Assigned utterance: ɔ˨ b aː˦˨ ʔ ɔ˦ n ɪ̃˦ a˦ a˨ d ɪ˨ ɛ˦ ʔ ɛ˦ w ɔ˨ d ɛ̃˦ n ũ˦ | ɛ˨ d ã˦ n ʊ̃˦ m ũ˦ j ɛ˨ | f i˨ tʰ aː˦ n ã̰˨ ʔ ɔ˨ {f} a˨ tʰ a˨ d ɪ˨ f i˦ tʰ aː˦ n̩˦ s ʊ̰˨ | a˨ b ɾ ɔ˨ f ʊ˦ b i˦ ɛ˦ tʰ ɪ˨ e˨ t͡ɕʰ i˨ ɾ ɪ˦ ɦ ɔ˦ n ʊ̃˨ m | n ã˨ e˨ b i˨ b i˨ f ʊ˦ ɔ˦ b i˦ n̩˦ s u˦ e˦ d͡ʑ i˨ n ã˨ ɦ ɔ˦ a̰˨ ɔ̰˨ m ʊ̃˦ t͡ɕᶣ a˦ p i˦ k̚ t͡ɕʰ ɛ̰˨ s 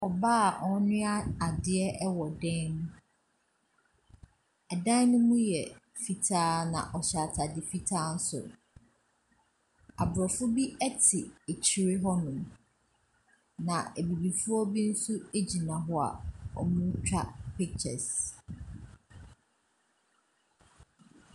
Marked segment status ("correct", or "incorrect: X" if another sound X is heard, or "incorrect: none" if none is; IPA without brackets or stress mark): incorrect: ɕ